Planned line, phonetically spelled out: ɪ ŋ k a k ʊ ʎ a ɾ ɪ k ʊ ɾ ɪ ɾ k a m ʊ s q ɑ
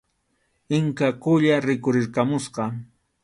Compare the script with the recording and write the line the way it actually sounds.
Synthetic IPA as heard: ɪ ŋ k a k ʊ ʎ a ɾ ɪ k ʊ ɾ ɪ ɾ k a m ʊ s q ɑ